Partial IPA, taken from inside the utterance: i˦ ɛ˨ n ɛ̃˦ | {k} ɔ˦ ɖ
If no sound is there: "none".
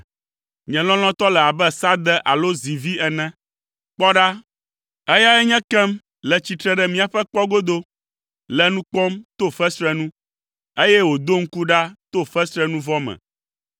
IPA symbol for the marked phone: k͡p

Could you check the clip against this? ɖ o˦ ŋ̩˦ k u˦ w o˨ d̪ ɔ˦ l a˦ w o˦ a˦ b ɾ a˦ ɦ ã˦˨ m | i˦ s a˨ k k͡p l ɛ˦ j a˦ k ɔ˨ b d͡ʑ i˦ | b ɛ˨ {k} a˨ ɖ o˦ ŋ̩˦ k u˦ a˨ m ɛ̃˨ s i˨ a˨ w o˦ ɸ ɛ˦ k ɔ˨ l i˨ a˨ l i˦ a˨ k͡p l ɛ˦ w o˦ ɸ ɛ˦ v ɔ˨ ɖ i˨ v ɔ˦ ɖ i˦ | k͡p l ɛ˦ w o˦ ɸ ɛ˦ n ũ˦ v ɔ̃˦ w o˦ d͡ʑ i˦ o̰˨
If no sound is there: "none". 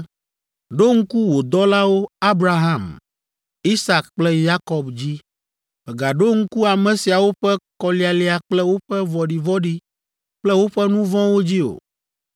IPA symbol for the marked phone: ɡ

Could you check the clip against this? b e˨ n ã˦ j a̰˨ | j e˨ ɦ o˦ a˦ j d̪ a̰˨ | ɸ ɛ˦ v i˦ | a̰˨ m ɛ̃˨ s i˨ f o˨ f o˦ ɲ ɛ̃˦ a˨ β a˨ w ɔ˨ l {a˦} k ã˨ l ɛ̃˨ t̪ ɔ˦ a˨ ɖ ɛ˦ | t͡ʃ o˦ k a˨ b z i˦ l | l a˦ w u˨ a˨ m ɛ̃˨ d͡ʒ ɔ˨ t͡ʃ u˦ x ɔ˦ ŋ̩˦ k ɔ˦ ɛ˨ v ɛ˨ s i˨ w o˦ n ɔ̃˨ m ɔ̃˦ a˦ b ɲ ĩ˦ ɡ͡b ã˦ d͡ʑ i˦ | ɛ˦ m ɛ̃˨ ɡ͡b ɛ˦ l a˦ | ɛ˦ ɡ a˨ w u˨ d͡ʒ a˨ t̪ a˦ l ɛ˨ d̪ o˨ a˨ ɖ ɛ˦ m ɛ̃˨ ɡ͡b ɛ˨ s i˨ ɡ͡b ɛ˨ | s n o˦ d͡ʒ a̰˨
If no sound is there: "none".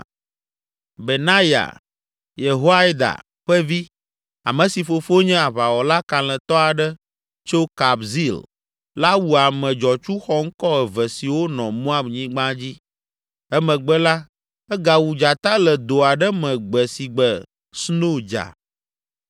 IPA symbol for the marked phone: a˦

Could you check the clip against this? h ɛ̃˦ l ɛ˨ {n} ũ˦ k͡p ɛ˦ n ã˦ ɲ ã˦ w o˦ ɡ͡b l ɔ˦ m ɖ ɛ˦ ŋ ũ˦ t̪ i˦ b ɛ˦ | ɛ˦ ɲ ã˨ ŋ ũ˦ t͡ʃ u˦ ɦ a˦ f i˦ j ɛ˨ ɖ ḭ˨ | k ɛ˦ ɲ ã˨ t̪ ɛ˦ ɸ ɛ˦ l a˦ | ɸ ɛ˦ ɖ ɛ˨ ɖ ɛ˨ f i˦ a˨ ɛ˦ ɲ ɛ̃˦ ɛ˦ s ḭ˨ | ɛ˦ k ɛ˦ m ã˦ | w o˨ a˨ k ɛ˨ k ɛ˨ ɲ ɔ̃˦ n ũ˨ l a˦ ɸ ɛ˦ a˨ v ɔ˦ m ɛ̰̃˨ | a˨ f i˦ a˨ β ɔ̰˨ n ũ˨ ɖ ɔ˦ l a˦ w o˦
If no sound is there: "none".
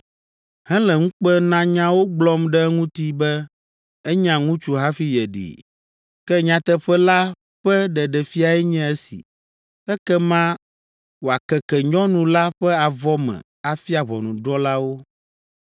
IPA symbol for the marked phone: ŋ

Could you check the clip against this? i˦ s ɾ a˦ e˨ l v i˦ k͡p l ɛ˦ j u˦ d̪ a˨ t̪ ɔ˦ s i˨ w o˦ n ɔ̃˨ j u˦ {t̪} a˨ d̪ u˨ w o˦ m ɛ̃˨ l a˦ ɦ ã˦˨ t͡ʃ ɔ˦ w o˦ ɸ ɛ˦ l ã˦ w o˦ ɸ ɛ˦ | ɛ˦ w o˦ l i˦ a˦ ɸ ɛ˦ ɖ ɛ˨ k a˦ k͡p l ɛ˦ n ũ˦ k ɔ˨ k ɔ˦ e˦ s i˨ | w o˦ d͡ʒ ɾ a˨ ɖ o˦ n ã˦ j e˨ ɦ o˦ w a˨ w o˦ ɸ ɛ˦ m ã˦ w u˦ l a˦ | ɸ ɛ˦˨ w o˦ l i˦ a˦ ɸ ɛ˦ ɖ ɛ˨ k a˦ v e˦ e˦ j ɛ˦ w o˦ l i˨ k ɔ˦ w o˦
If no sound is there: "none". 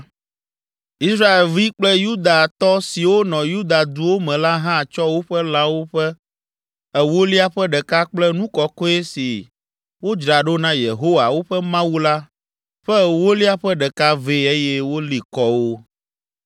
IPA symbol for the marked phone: d̪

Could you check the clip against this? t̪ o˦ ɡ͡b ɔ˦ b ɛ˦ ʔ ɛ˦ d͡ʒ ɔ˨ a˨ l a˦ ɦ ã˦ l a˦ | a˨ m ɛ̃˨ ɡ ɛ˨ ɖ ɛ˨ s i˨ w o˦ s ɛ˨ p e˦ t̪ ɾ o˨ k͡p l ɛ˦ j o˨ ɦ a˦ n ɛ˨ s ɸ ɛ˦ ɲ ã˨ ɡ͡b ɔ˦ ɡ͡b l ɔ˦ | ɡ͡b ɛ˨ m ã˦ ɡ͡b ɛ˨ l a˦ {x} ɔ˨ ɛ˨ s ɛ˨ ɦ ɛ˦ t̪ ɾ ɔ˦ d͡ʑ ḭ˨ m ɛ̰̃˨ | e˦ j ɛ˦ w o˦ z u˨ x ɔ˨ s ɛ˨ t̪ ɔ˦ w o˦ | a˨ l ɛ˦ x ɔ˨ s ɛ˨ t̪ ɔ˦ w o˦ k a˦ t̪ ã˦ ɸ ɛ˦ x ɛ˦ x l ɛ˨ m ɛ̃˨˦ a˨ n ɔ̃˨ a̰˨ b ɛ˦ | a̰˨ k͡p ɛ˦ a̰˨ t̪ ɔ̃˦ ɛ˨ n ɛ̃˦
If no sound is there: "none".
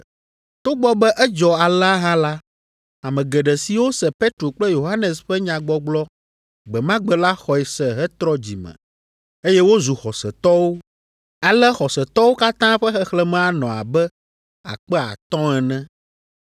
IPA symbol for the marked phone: x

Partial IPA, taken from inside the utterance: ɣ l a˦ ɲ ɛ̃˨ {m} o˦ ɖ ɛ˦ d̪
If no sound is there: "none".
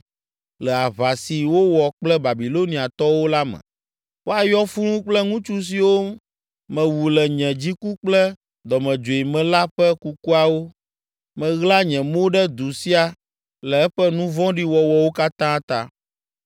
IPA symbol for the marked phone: m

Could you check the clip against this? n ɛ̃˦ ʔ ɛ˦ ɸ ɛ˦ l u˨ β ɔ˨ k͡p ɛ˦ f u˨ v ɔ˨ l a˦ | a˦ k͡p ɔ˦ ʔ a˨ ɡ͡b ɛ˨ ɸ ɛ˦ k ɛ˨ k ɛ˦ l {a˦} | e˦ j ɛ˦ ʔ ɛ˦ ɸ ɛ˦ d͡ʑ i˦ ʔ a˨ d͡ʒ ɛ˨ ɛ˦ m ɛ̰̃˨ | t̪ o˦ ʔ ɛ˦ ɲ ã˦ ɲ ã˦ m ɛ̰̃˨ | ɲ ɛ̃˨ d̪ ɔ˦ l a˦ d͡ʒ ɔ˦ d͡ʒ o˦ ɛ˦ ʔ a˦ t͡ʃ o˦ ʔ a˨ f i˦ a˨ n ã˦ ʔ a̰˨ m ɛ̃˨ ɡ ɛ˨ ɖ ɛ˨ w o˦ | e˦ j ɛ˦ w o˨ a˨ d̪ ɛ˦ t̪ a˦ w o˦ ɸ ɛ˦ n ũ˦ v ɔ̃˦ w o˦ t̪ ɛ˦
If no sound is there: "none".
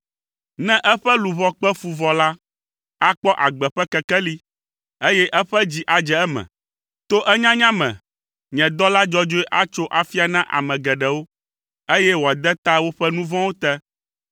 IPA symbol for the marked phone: i˦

